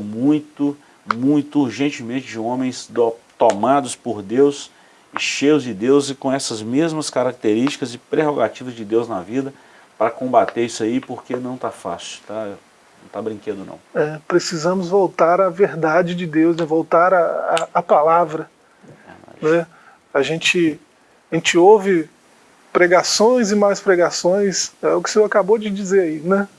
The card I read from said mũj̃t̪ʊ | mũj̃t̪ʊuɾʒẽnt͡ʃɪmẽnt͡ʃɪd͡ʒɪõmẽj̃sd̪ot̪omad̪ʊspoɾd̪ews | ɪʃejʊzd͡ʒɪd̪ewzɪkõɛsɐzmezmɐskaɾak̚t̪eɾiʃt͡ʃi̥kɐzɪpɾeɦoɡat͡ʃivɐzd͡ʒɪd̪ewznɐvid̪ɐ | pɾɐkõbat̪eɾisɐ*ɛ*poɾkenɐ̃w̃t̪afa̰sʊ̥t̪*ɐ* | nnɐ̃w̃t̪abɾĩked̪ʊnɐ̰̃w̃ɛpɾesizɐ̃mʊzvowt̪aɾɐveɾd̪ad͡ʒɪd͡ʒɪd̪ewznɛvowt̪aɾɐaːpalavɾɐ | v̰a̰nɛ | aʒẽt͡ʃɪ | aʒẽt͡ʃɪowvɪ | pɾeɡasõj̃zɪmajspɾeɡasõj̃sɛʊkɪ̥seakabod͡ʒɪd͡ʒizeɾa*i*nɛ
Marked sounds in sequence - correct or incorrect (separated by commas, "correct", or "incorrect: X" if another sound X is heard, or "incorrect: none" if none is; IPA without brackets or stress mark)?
incorrect: i, incorrect: a, correct